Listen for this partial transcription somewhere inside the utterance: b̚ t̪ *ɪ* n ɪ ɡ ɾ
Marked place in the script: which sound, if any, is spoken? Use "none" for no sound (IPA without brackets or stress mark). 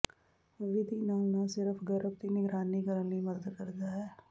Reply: i